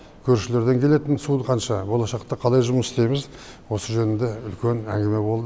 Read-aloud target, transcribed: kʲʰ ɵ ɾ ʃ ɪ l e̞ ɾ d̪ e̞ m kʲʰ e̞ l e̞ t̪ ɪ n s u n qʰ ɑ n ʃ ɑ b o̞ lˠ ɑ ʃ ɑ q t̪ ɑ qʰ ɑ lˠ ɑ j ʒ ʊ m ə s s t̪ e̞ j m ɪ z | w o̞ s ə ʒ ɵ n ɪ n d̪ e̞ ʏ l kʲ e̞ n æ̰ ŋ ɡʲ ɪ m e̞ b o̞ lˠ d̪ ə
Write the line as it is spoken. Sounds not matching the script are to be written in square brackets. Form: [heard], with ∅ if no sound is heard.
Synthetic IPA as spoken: kʲʰ ɵ ɾ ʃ ɪ l e̞ ɾ d̪ e̞ [ŋ] kʲʰ e̞ l e̞ t̪ ɪ n s u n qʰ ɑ n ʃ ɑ b o̞ lˠ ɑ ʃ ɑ q t̪ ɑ qʰ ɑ lˠ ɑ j ʒ ʊ m ə s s t̪ e̞ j m ɪ z | w o̞ s ə ʒ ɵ n ɪ n d̪ e̞ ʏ l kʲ e̞ n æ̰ ŋ ɡʲ ɪ m e̞ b o̞ lˠ d̪ ə